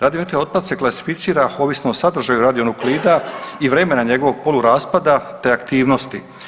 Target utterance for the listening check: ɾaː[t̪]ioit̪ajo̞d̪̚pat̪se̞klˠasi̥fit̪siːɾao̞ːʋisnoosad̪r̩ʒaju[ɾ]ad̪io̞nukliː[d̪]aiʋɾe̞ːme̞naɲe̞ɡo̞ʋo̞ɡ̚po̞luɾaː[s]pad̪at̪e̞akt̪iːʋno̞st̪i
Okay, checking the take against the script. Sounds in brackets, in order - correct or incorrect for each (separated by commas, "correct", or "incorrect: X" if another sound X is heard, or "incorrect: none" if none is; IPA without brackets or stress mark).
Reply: incorrect: d̪, correct, correct, correct